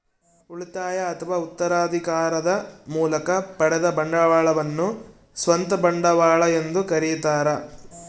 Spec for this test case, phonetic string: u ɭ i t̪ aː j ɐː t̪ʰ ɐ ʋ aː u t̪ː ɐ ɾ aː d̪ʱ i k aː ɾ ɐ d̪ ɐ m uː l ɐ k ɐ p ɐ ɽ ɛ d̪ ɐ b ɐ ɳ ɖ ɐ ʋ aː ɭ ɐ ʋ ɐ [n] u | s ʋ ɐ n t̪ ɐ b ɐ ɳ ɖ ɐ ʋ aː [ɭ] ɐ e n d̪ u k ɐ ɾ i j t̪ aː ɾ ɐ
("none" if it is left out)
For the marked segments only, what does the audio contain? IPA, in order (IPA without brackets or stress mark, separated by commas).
nː, ɭ